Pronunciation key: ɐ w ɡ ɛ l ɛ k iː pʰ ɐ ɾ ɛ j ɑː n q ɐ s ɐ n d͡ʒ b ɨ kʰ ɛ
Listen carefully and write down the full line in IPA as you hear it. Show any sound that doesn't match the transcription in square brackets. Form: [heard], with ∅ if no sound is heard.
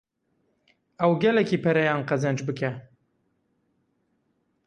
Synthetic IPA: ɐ w ɡ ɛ l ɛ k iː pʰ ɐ ɾ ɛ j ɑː n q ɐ [z] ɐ n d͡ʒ b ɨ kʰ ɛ